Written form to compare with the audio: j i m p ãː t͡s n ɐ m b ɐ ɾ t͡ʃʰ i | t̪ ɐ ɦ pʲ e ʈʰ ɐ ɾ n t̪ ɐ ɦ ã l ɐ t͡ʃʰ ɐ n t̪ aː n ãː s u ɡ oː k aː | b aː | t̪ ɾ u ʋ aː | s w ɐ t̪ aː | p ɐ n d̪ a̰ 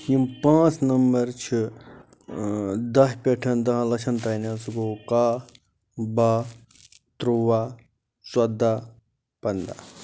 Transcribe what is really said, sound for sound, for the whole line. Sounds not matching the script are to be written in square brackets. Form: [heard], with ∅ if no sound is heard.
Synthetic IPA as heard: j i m p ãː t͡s n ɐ m b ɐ ɾ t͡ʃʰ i | [d̪] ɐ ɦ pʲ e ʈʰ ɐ [∅] n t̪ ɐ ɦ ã l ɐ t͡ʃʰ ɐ n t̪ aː n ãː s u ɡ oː k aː | b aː | t̪ ɾ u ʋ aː | s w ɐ [d̪] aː | p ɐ n d̪ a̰